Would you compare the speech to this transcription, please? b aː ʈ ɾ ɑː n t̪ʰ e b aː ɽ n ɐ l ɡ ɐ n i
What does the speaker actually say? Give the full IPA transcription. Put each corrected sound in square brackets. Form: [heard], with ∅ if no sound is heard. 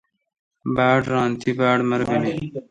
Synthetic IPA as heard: b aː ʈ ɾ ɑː n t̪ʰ [i] b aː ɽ [m] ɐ [ɾ] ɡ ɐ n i